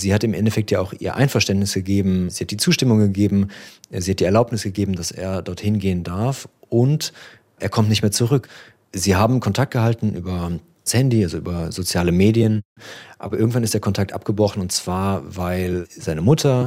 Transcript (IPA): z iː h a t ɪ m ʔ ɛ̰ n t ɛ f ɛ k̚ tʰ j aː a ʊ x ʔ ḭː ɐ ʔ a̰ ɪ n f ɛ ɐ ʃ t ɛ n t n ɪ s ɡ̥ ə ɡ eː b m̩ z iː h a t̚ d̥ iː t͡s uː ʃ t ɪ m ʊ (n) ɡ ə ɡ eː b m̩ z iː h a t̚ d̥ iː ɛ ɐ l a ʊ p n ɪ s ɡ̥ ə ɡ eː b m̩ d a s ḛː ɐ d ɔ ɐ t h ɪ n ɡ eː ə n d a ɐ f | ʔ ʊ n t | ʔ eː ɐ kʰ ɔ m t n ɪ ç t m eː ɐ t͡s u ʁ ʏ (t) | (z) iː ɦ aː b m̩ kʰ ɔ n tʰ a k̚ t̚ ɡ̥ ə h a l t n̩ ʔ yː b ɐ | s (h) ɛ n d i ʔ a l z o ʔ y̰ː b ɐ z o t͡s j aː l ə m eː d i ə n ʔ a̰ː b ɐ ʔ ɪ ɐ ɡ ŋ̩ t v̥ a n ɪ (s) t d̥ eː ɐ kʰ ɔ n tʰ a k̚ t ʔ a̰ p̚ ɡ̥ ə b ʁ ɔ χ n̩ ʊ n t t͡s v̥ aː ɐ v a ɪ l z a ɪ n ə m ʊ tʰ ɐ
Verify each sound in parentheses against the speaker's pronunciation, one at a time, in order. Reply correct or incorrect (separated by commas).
incorrect, incorrect, correct, correct, correct